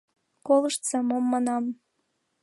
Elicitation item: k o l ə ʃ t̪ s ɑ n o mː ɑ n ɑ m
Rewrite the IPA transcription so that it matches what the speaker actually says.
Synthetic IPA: k o l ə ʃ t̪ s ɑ m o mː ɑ n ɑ m